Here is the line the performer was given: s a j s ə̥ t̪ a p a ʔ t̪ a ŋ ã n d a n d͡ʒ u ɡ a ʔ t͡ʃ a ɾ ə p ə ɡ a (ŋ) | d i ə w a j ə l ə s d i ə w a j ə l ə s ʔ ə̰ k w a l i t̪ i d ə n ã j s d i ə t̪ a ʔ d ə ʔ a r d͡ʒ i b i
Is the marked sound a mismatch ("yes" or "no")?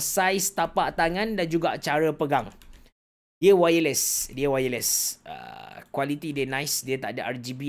no